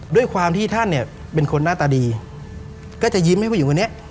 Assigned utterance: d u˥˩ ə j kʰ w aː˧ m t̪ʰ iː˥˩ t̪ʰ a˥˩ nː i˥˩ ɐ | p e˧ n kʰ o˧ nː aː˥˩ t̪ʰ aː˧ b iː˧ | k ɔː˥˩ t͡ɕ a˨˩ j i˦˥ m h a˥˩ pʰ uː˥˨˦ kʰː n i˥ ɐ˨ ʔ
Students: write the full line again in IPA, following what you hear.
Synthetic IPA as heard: d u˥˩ ə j kʰ w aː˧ m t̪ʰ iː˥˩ t̪ʰ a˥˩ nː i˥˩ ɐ | p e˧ n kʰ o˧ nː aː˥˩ t̪ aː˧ d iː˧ | k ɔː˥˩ t͡ɕ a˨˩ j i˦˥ m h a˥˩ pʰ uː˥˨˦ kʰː n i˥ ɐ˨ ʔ